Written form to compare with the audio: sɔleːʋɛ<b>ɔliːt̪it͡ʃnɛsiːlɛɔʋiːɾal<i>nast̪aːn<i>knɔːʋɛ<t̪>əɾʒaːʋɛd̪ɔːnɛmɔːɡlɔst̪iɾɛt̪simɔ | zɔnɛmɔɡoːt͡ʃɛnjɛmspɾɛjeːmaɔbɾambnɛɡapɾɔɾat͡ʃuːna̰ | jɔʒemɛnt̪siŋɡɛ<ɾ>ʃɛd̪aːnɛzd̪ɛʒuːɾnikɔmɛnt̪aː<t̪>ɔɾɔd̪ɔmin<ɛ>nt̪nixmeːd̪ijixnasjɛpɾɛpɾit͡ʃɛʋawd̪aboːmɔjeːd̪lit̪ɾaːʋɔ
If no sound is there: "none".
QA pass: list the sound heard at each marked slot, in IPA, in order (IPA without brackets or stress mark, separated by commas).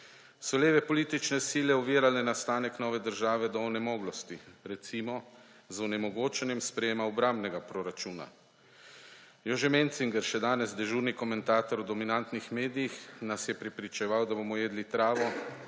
p, ɛ, ɛ, d̪, ɾ, t̪, a